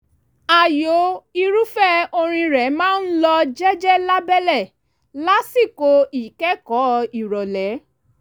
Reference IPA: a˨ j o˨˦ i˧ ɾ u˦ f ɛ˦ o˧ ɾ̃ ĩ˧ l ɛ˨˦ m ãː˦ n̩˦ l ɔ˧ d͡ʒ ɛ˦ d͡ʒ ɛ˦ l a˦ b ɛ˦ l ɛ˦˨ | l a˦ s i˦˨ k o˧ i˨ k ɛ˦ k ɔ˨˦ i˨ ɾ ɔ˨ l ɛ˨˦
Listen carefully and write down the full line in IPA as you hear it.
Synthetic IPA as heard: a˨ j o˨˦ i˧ ɾ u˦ f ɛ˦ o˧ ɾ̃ ĩ˧ ɾ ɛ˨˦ m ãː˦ n̩˦ l ɔ˧ d͡ʒ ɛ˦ d͡ʒ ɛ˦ l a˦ b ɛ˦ l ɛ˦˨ | l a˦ s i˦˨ k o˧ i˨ k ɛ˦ k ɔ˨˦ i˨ ɾ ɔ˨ l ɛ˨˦

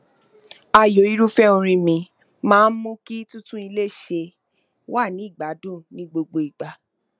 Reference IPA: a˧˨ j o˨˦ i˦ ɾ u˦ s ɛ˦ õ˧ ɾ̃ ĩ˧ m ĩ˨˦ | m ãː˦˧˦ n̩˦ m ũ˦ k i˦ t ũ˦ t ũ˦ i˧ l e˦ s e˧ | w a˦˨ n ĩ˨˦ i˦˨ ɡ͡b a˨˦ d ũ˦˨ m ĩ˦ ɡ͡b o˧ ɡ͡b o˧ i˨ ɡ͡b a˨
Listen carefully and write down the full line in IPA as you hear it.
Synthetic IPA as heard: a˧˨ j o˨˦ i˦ ɾ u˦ f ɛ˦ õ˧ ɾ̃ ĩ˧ m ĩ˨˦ | m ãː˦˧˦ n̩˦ m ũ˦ k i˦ t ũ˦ t ũ˦ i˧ l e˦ ʃ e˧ | w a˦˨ n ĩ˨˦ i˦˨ ɡ͡b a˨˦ d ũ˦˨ n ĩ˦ ɡ͡b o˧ ɡ͡b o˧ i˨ ɡ͡b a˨

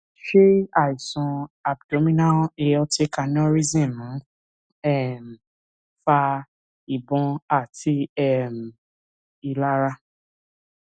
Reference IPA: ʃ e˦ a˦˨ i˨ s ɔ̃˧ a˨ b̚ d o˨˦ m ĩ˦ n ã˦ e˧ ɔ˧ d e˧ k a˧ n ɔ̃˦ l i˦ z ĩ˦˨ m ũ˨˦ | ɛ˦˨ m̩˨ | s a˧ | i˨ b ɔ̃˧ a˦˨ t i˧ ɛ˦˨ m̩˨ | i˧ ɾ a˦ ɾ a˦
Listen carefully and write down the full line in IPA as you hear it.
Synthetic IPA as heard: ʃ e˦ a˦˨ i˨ s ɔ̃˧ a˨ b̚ d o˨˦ m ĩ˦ n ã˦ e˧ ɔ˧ t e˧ k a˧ n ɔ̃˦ ɾ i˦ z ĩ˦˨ m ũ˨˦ | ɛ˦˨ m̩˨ | f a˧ | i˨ b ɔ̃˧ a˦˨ t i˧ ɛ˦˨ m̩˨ | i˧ l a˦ ɾ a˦

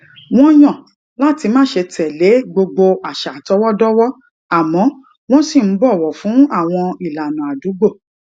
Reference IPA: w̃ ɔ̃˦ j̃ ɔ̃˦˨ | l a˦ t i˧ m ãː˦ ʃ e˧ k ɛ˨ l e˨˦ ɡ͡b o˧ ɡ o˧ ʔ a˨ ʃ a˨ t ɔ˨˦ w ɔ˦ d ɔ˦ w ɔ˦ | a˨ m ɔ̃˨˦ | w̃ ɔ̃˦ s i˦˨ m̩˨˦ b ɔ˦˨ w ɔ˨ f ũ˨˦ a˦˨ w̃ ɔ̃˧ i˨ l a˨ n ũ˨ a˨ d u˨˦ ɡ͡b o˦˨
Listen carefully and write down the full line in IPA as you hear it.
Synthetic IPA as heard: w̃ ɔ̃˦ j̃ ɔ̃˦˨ | l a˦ t i˧ m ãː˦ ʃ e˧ t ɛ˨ l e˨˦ ɡ͡b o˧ ɡ͡b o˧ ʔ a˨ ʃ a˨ t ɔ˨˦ w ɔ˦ d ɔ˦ w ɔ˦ | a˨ m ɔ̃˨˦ | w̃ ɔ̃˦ s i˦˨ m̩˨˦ b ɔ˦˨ w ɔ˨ f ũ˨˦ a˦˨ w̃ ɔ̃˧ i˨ l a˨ n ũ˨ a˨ d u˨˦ ɡ͡b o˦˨

